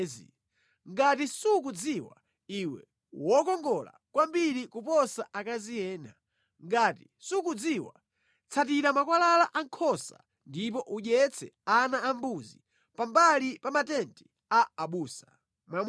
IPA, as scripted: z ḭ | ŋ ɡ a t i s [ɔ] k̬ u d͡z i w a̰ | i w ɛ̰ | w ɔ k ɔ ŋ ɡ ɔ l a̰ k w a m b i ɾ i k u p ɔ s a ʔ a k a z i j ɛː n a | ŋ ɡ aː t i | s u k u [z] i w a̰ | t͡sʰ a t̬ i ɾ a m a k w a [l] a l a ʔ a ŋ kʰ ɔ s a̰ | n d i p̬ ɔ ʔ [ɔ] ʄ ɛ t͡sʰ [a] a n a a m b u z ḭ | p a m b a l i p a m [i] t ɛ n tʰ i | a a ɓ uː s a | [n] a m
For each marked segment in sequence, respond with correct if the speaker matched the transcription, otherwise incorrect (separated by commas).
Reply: incorrect, incorrect, correct, incorrect, incorrect, incorrect, incorrect